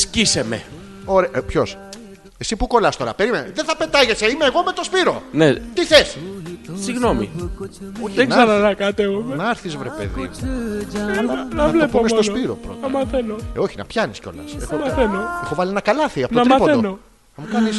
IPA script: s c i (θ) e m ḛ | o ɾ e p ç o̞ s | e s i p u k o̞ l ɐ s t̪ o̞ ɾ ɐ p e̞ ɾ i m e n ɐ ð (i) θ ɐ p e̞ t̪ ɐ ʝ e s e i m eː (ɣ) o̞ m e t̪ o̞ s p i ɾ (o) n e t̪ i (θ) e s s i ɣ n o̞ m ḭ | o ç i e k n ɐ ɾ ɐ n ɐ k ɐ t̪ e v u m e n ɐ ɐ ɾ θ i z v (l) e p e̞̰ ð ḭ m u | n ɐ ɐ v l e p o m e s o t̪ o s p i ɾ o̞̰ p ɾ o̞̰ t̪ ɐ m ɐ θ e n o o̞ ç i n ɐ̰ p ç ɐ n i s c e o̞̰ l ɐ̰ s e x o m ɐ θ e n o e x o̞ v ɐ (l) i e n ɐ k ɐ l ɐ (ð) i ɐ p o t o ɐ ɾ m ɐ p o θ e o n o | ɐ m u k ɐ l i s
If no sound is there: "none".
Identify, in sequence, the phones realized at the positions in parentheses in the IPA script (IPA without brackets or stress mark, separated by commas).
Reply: s, e, ɣ, o, θ, ɾ, l, θ